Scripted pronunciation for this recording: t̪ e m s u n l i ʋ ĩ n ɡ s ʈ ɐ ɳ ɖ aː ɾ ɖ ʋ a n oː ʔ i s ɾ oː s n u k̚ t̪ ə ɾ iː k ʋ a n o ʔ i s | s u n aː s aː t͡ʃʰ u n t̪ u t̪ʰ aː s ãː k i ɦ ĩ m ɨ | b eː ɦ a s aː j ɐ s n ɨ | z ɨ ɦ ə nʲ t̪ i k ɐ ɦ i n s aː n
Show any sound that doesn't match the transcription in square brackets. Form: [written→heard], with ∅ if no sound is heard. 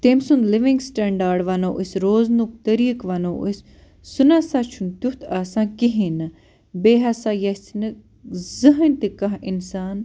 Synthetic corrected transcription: t̪ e m s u n l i ʋ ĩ [n→ŋ] ɡ s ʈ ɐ ɳ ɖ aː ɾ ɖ ʋ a n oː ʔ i s ɾ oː [s→z] n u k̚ t̪ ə ɾ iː k ʋ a n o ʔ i s | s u n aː s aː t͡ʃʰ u n t̪ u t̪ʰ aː s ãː k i ɦ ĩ [m→n] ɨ | b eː ɦ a s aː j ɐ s n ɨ | z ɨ ɦ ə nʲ t̪ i k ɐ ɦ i n s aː n